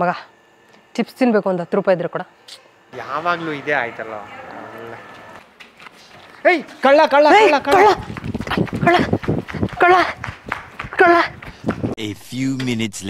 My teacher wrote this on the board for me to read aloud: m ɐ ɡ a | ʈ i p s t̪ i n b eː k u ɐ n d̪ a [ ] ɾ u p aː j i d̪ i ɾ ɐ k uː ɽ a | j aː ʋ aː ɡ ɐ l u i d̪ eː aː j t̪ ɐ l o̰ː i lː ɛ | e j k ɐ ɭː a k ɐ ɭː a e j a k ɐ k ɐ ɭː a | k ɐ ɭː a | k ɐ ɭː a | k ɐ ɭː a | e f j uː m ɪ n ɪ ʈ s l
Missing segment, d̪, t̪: t̪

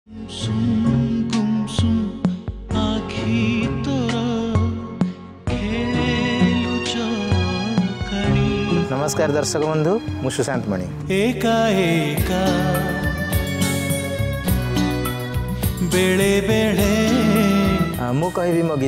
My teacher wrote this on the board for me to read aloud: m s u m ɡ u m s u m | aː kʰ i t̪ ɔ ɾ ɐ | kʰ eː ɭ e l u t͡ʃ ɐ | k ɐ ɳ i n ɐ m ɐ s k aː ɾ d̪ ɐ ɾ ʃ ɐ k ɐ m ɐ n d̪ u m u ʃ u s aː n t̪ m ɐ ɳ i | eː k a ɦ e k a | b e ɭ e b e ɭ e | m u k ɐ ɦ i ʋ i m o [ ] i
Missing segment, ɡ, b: ɡ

